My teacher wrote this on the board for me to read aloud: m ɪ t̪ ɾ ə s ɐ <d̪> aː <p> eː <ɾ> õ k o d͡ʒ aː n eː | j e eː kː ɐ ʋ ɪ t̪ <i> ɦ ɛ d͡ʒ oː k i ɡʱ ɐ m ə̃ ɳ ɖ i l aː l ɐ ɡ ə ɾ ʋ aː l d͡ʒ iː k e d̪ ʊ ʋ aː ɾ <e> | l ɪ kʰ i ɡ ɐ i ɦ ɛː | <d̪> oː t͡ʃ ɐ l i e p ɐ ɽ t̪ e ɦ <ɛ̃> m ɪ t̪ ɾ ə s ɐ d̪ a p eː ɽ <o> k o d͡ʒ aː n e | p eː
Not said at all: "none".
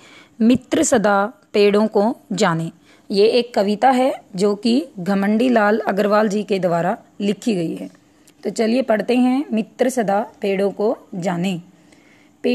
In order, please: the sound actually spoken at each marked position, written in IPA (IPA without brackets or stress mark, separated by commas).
d̪, p, ɽ, a, a, t̪, ɛ̃, õ